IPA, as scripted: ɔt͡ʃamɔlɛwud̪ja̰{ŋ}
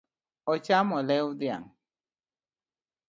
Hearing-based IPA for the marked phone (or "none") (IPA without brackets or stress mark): ŋ